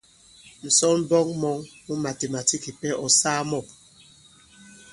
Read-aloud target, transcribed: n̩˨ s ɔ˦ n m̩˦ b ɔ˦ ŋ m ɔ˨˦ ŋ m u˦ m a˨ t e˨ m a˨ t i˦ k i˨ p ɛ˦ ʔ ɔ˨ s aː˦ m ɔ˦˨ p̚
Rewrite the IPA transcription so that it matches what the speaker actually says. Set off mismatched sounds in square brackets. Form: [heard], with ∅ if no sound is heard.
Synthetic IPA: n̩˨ s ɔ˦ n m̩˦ b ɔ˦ ŋ m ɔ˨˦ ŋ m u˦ m a˨ t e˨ m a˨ t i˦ k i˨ p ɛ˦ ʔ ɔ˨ s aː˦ m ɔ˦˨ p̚